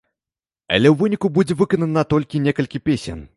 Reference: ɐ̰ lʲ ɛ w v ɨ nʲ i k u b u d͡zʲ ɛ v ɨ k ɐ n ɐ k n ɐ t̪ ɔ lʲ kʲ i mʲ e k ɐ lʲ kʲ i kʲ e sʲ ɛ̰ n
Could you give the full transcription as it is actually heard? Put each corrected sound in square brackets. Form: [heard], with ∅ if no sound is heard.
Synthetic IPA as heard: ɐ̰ lʲ ɛ w v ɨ nʲ i k u b u d͡zʲ ɛ v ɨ k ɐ n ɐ [∅] n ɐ t̪ ɔ lʲ kʲ i [nʲ] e k ɐ lʲ kʲ i [pʲ] e sʲ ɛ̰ n

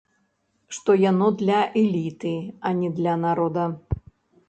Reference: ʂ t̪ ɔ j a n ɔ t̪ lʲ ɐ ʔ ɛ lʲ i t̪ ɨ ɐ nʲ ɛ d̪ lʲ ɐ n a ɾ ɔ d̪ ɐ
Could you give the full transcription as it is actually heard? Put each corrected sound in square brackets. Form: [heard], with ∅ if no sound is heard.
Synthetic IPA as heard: ʂ t̪ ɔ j a n ɔ [d̪] lʲ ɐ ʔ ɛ lʲ i t̪ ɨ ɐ nʲ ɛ d̪ lʲ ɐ n a ɾ ɔ d̪ ɐ

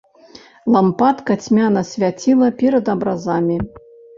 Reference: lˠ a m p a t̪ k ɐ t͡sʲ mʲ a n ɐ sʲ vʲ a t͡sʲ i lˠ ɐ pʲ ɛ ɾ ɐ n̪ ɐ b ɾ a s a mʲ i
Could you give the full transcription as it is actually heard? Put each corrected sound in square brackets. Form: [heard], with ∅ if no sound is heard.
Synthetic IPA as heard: lˠ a m p a t̪ k ɐ t͡sʲ mʲ a n ɐ sʲ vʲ a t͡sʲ i lˠ ɐ pʲ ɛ ɾ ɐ [d̪] ɐ b ɾ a [z] a mʲ i

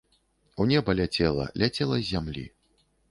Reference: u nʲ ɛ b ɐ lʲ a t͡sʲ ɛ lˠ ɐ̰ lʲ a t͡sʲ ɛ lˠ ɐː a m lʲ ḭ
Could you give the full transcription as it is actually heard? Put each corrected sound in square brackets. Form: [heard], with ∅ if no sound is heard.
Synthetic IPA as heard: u nʲ ɛ b ɐ lʲ a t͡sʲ ɛ lˠ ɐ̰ lʲ a t͡sʲ ɛ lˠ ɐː a m lʲ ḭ

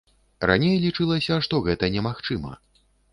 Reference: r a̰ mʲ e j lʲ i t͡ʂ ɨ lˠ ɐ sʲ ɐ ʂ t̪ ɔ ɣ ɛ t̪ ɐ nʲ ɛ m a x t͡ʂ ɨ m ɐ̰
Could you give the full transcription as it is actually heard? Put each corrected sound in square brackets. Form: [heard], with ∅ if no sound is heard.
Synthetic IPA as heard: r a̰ [nʲ] e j lʲ i t͡ʂ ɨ lˠ ɐ sʲ ɐ ʂ t̪ ɔ ɣ ɛ t̪ ɐ nʲ ɛ m a x t͡ʂ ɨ m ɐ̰

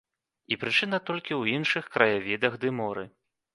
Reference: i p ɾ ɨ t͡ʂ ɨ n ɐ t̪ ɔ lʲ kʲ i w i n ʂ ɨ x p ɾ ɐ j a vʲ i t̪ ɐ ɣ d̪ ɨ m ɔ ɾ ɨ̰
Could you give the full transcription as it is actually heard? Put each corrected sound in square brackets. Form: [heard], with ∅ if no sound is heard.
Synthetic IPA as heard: i p ɾ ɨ t͡ʂ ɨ n ɐ t̪ ɔ lʲ kʲ i w i n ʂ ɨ x [k] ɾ ɐ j a vʲ i [d̪] ɐ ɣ d̪ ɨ m ɔ ɾ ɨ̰

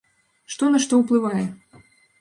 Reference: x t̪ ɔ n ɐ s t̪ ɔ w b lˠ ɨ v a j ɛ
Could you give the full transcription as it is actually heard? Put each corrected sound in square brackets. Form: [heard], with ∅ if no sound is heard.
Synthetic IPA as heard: [ʂ] t̪ ɔ n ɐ [ʂ] t̪ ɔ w [p] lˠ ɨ v a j ɛ

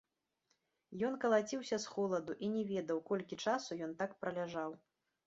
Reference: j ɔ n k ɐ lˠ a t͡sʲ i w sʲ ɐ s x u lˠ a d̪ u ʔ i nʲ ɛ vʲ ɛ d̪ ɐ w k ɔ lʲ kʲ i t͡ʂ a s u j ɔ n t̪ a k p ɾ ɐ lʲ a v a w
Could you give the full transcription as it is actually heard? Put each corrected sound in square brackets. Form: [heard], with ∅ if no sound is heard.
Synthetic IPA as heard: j ɔ n k ɐ lˠ a t͡sʲ i w sʲ ɐ s x [ɔ] lˠ [ɐ] d̪ u ʔ i nʲ ɛ vʲ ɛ d̪ ɐ w k ɔ lʲ kʲ i t͡ʂ a s u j ɔ n t̪ a k p ɾ ɐ lʲ a [ʐ] a w

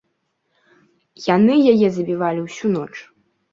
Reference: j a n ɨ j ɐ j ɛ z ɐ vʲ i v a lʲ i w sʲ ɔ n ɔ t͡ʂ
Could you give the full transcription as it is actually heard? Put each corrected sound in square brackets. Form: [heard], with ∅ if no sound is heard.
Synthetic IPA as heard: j a n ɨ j [a] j ɛ z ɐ [bʲ] i v a lʲ i w sʲ [u] n ɔ t͡ʂ

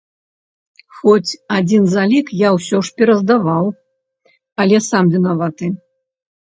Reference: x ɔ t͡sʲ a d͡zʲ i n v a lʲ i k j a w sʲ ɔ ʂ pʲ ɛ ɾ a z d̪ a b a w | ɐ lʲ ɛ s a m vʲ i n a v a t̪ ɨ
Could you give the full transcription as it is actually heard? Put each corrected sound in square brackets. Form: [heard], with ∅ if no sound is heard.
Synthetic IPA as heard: x ɔ t͡sʲ a d͡zʲ i n [z] a lʲ i k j a w sʲ ɔ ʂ pʲ ɛ ɾ [ɐ] z d̪ a [v] a w | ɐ lʲ ɛ s a m vʲ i n a v a t̪ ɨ

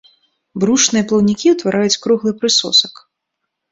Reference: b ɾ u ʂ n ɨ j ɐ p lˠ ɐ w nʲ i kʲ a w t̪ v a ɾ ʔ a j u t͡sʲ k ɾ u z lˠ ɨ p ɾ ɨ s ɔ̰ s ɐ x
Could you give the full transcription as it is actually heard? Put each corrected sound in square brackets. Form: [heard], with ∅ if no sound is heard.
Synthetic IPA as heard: b ɾ u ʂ n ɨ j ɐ p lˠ ɐ w nʲ i kʲ [i] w t̪ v a ɾ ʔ a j u t͡sʲ k ɾ u [ɣ] lˠ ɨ p ɾ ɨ s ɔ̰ s ɐ [k]

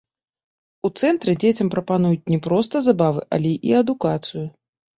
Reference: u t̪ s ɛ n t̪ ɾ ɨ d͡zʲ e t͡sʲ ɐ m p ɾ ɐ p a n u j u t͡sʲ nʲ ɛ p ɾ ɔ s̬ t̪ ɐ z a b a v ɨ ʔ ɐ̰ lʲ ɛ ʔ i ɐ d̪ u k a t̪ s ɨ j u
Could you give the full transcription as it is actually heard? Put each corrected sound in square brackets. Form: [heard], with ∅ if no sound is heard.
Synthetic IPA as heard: u t̪ s ɛ n t̪ ɾ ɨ d͡zʲ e t͡sʲ ɐ m p ɾ ɐ p a n u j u t͡sʲ nʲ ɛ p ɾ ɔ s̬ t̪ ɐ z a b a v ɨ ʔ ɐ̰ lʲ ɛ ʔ i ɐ d̪ u k a t̪ s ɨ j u

